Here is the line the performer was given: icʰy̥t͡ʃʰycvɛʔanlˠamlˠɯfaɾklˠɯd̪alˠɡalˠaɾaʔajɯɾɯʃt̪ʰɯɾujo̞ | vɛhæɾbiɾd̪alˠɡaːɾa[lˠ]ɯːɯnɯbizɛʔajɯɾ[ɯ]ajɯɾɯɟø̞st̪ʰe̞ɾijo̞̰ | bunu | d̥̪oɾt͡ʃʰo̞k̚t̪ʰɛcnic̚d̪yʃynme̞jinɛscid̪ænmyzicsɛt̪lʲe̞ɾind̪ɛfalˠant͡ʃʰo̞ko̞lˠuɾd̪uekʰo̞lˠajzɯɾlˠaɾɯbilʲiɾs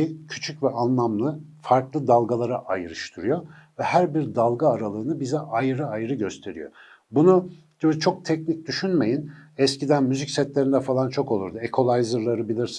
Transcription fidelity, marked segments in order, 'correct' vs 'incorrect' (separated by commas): correct, correct